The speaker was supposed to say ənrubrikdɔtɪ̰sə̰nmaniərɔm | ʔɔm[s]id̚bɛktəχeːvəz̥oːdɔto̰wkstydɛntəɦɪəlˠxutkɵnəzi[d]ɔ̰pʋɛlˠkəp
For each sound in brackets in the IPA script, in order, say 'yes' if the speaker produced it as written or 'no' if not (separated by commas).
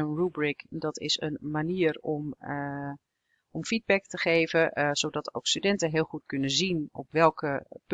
no, no